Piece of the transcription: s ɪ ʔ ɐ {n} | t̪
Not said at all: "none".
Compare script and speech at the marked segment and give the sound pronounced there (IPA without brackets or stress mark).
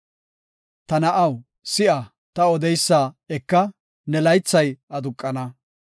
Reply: none